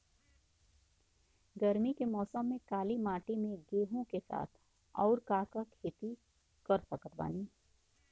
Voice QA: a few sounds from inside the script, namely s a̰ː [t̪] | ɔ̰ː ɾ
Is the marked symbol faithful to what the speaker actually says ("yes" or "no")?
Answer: no